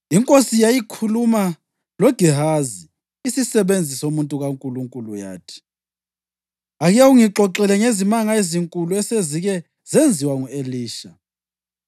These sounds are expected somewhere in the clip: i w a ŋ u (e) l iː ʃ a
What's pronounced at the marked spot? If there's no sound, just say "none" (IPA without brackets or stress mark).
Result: e